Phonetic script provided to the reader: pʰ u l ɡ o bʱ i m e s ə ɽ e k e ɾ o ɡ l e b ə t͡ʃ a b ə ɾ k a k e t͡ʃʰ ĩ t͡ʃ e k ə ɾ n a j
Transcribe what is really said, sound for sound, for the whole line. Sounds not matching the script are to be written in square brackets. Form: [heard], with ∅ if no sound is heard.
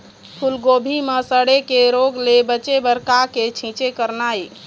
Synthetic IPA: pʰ u l ɡ o bʱ i m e s ə ɽ e k e ɾ o ɡ l e b ə t͡ʃ [e] b ə ɾ k a k e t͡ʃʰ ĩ t͡ʃ e k ə ɾ n a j